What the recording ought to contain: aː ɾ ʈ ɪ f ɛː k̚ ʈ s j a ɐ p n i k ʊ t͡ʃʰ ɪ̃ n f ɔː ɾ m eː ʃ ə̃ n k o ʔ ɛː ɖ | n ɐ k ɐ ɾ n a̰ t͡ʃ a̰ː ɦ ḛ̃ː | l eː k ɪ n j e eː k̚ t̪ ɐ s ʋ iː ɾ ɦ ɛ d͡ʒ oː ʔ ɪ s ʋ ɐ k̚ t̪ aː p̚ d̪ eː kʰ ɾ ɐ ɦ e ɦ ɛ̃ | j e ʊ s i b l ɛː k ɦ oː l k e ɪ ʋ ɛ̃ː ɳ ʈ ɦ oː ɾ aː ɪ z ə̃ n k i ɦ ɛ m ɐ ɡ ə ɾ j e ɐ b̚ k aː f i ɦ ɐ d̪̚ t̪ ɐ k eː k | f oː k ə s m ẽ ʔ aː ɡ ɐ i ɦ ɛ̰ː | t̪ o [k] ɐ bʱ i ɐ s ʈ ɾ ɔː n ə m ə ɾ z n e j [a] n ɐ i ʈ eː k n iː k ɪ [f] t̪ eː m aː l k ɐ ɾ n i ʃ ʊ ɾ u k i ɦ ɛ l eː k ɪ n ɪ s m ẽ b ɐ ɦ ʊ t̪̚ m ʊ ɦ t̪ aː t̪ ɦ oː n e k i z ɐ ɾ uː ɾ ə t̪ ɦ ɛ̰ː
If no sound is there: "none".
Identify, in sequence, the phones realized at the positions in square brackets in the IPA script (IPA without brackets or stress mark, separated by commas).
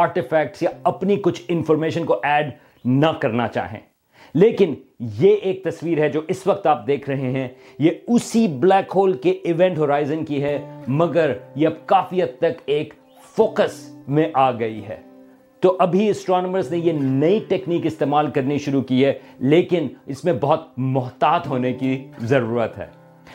ʔ, e, s